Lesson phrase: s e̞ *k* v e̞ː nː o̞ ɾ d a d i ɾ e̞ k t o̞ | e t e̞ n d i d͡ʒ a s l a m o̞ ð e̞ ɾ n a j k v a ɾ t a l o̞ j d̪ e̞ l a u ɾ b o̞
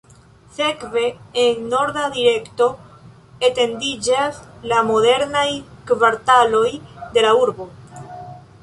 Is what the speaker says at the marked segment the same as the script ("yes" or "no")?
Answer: yes